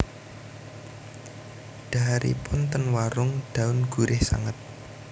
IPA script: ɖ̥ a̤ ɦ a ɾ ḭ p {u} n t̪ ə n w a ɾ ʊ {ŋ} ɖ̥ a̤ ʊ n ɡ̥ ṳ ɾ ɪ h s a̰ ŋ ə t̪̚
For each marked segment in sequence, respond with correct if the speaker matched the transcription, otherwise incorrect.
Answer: incorrect, correct

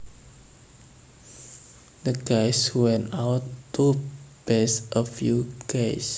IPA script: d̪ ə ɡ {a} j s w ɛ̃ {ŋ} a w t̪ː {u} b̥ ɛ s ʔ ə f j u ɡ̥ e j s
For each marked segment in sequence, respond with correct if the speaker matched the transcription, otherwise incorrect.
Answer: correct, incorrect, correct

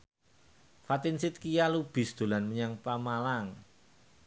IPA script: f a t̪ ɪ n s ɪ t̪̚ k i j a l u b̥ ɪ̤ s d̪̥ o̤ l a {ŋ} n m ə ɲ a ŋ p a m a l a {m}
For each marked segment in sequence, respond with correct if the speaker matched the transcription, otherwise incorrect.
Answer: incorrect, incorrect

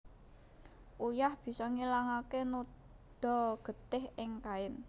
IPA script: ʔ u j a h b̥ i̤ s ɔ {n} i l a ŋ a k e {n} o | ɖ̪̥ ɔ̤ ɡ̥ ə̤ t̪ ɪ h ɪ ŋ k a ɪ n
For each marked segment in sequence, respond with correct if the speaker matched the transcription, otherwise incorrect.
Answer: incorrect, correct

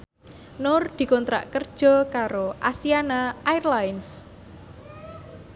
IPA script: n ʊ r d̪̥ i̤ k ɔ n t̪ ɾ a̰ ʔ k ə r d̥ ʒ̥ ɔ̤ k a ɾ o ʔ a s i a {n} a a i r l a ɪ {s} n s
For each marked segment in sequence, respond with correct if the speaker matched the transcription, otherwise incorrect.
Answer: correct, incorrect

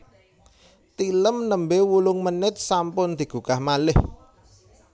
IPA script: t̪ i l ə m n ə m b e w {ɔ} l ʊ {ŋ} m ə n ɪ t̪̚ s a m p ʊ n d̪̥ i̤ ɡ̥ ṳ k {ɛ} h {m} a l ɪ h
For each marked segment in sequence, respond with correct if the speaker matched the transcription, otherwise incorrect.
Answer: incorrect, correct, incorrect, correct

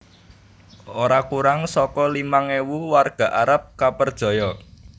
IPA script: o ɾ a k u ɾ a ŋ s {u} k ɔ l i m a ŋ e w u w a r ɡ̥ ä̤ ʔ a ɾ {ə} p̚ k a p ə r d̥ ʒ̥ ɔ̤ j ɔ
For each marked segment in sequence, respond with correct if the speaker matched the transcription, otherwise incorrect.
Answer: incorrect, incorrect

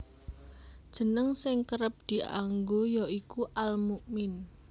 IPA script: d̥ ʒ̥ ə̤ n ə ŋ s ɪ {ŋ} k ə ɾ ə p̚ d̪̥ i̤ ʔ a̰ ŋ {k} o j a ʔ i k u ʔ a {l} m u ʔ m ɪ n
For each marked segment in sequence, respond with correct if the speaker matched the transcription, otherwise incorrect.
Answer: correct, incorrect, correct

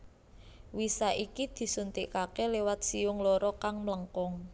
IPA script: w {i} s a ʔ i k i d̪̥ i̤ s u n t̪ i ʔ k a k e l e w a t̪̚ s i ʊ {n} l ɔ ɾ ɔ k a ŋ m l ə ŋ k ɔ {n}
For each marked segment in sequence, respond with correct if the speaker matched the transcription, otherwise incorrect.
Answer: correct, incorrect, incorrect

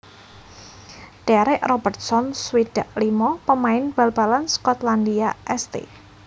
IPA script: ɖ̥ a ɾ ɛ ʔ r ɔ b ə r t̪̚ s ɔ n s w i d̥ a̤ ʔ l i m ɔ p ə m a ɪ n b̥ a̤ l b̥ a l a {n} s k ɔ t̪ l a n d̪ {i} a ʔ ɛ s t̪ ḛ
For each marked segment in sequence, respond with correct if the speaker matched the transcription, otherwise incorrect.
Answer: correct, correct

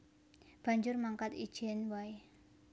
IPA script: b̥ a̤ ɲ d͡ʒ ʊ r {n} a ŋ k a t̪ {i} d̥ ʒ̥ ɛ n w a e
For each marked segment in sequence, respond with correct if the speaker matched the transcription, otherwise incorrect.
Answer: incorrect, correct

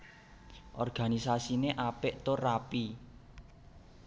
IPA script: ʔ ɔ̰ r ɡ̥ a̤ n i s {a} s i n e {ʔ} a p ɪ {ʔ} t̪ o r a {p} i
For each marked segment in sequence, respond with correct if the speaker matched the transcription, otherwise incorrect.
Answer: correct, correct, correct, correct

